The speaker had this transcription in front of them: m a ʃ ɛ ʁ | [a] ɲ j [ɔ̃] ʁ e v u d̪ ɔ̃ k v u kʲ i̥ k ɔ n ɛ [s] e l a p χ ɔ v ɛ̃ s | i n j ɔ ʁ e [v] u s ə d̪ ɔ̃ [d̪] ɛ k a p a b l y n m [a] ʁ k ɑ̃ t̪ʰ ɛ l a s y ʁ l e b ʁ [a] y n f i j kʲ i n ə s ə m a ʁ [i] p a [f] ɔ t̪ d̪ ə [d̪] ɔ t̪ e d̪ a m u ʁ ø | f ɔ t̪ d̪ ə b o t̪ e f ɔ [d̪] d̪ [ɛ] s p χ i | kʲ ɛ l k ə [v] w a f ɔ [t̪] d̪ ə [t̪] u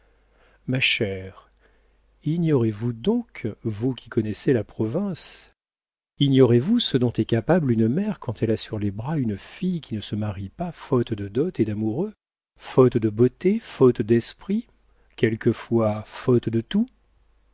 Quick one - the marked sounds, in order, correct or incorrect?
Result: incorrect: i, incorrect: ɔ, correct, correct, incorrect: t̪, incorrect: ɛ, correct, correct, correct, correct, incorrect: t̪, correct, incorrect: f, correct, correct

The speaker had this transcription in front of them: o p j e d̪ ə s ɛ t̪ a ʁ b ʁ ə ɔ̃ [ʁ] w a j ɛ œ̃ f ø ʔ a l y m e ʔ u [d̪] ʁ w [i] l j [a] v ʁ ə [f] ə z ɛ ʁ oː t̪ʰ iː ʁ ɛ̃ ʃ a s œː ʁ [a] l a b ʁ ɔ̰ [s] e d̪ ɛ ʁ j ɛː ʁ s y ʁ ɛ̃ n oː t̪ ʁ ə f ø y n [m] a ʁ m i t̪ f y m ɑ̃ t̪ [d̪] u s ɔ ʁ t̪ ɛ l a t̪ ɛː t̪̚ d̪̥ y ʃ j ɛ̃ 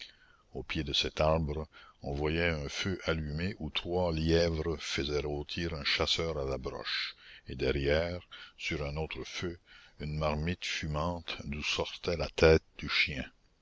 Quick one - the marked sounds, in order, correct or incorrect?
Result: incorrect: v, incorrect: t̪, incorrect: a, incorrect: ɛ, correct, correct, incorrect: ʃ, correct, correct

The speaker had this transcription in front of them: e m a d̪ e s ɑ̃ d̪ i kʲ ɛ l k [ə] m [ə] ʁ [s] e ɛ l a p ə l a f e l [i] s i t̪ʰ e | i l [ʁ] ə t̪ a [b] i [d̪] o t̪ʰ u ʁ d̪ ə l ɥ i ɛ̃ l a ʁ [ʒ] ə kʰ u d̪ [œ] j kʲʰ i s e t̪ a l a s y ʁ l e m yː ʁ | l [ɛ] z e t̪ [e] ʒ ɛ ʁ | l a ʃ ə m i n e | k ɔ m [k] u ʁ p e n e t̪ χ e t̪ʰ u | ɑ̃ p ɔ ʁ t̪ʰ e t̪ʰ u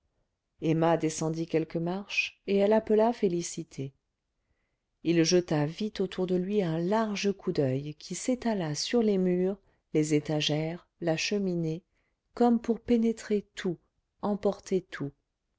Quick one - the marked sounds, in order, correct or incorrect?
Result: correct, incorrect: a, incorrect: ʃ, correct, incorrect: ʒ, incorrect: v, incorrect: t̪, correct, correct, incorrect: e, incorrect: a, incorrect: p

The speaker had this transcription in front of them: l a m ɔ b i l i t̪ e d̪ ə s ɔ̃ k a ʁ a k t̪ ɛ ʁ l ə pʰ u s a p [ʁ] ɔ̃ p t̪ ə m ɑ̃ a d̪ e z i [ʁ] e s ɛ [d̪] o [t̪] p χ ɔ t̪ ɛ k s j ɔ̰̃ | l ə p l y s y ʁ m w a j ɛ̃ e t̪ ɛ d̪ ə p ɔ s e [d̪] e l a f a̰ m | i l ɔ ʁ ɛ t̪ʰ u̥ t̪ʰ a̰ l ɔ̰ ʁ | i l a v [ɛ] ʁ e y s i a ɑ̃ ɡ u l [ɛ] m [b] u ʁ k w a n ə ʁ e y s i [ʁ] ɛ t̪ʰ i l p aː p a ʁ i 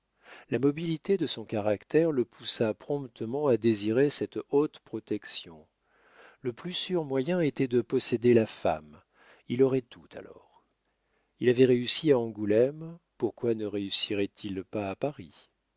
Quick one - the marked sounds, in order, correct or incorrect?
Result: incorrect: χ, correct, incorrect: t̪, correct, correct, correct, correct, incorrect: p, correct

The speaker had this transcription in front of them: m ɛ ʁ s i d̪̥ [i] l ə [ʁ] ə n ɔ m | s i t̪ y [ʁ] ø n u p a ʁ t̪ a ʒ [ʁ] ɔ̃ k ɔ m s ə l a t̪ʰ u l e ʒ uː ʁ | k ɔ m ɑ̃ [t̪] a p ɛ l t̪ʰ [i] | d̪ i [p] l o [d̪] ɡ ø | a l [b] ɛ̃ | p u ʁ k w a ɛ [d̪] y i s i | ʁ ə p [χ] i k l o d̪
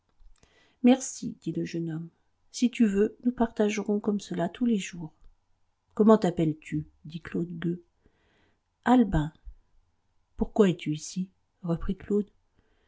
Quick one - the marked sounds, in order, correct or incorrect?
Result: correct, incorrect: ʒ, incorrect: v, correct, correct, incorrect: y, incorrect: k, correct, correct, incorrect: t̪, correct

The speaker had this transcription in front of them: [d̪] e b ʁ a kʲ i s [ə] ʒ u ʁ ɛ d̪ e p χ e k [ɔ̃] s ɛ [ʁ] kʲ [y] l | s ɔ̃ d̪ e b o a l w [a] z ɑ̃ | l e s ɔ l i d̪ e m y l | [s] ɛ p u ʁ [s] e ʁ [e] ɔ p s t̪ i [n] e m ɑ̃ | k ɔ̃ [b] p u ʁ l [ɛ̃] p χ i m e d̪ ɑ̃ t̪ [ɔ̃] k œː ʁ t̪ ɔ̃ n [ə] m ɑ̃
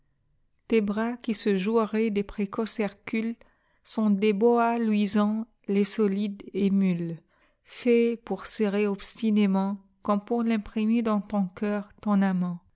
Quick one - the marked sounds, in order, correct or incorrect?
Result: incorrect: t̪, correct, incorrect: ɔ, correct, correct, incorrect: i, incorrect: f, correct, correct, correct, incorrect: m, correct, correct, incorrect: a

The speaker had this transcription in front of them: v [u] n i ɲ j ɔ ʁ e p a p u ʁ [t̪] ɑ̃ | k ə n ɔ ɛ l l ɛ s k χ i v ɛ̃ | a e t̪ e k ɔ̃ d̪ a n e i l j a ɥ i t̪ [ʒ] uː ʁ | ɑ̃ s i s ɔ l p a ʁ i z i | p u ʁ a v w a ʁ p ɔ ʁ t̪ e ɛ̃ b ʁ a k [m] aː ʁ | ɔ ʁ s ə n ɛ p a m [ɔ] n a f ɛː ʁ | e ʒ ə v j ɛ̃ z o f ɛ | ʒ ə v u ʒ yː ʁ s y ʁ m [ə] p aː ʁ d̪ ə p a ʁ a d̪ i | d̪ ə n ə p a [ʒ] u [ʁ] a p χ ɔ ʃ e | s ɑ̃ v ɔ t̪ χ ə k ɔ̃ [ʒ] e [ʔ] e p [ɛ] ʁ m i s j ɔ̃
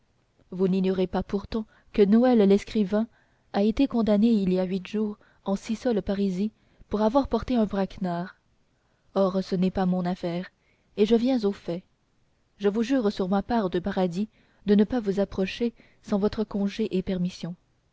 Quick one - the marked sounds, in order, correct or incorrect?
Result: correct, correct, correct, incorrect: n, incorrect: ɔ̃, incorrect: a, incorrect: v, incorrect: z, correct, correct, correct

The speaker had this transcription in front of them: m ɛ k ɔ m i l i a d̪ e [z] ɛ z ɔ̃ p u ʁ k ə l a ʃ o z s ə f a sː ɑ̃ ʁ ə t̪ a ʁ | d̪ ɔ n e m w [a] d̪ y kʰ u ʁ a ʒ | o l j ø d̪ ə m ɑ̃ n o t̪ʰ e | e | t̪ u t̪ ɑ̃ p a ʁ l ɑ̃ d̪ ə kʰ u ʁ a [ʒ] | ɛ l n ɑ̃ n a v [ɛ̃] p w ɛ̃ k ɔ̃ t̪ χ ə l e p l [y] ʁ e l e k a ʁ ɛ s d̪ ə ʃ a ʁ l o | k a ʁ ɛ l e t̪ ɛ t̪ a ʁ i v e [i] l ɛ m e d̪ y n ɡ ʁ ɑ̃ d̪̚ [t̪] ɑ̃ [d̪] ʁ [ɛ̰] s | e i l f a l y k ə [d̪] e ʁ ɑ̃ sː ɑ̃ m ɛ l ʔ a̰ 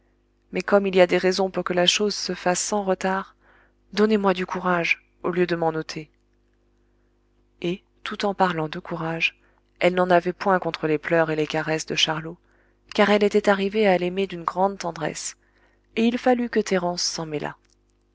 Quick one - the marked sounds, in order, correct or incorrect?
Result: incorrect: ʁ, correct, correct, incorrect: ɛ, incorrect: œ, incorrect: a, correct, correct, correct, incorrect: t̪

